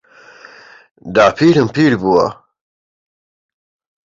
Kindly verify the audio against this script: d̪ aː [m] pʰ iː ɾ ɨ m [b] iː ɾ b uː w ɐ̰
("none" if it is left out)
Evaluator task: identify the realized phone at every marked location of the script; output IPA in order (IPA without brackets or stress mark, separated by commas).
none, p